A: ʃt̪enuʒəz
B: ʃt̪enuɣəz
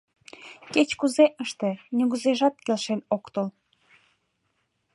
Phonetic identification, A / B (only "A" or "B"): B